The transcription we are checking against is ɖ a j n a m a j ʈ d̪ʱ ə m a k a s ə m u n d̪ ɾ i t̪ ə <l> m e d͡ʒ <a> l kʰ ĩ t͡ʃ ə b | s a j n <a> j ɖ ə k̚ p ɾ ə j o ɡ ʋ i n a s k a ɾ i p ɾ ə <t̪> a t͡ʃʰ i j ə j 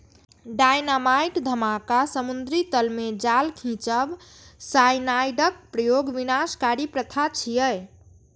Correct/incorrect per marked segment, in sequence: correct, correct, correct, incorrect: t̪ʰ

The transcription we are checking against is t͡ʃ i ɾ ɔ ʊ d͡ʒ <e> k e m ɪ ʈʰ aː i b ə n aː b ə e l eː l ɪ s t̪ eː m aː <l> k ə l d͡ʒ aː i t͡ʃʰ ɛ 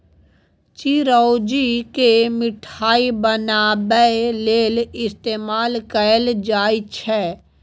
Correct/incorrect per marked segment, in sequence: incorrect: i, correct

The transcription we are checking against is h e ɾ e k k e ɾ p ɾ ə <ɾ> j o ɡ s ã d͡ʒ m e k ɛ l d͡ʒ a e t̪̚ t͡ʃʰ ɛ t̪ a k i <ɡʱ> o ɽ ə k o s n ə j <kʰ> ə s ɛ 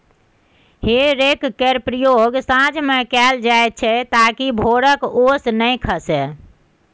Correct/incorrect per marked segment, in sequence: incorrect: none, incorrect: bʱ, correct

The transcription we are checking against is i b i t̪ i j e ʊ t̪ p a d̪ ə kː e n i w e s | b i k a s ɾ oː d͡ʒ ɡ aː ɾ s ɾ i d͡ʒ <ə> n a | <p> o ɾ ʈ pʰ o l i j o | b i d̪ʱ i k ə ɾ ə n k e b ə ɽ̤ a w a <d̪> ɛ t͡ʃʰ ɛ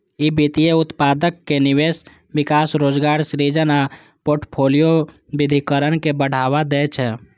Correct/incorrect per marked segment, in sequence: correct, correct, correct

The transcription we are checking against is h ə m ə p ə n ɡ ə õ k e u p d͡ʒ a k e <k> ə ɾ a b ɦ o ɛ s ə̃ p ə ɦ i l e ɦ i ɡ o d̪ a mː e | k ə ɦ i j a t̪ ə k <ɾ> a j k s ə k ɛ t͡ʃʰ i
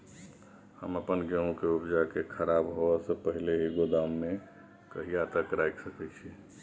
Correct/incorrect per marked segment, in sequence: incorrect: kʰ, correct

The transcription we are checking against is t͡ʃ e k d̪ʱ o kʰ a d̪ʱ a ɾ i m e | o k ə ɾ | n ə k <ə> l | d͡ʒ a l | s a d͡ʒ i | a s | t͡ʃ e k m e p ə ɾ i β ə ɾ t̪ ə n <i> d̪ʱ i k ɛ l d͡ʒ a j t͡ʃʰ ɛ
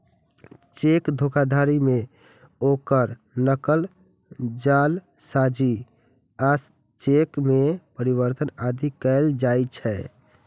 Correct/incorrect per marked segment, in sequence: correct, incorrect: a

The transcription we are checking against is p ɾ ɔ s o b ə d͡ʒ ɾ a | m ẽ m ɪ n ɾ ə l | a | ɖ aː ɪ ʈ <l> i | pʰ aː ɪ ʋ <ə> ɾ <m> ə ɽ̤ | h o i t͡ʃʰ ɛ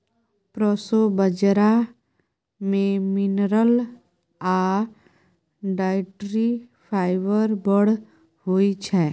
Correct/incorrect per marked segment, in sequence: incorrect: ɾ, correct, incorrect: b

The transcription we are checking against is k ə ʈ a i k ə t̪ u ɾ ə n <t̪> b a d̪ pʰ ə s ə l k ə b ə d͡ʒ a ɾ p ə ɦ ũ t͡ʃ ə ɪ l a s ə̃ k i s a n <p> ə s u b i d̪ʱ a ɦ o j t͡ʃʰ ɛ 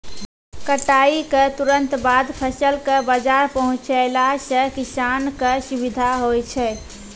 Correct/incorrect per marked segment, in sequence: correct, incorrect: k

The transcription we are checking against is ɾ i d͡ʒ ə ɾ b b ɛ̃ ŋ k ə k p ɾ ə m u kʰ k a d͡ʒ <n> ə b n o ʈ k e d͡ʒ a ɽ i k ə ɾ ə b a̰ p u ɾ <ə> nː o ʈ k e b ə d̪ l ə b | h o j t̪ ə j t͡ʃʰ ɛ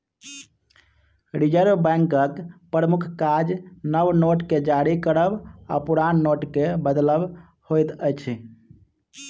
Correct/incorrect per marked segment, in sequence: correct, incorrect: a

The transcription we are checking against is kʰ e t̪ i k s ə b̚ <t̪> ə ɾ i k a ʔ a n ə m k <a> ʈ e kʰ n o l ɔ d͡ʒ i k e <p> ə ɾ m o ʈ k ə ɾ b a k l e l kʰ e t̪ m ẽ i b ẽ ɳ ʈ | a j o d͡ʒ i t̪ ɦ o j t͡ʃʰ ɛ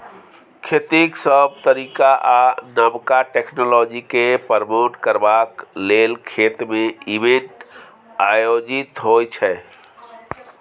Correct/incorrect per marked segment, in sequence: correct, correct, correct

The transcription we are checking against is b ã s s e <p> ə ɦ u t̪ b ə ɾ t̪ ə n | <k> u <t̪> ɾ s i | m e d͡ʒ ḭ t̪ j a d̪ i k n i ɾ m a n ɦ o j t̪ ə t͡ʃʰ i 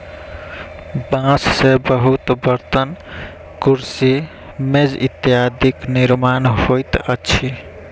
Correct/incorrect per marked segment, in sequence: incorrect: b, correct, incorrect: none

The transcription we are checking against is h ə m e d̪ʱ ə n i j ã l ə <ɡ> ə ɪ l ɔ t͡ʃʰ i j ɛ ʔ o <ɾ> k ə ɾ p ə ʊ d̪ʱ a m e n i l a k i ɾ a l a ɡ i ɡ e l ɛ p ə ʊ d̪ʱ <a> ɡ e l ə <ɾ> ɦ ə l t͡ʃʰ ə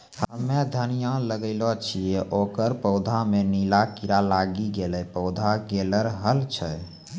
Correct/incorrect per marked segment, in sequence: correct, incorrect: none, correct, correct

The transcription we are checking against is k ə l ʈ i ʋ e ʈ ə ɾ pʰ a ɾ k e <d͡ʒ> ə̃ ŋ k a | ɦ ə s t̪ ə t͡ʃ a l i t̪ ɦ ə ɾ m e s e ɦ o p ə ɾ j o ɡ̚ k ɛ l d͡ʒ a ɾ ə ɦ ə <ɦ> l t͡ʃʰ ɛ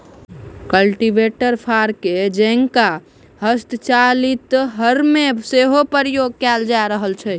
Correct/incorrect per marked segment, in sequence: correct, incorrect: none

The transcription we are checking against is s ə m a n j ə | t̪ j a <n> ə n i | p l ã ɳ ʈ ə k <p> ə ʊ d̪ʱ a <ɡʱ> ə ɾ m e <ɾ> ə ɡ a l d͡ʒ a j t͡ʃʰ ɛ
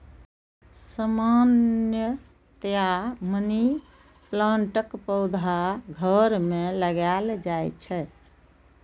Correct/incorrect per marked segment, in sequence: incorrect: m, correct, correct, incorrect: l

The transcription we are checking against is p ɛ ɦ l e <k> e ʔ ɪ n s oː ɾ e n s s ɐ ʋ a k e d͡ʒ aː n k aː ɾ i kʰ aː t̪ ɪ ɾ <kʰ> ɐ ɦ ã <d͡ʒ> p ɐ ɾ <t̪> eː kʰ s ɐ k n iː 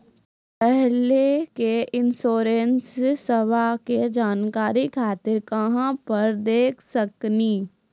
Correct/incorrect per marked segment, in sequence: correct, incorrect: k, incorrect: none, incorrect: d̪

